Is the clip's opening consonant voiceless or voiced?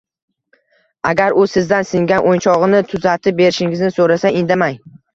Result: voiced